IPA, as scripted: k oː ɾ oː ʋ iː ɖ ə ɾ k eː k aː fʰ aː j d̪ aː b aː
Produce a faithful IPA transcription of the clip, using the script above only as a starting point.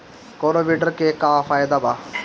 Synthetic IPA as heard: k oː ɾ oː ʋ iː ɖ ə ɾ k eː k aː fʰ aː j d̪ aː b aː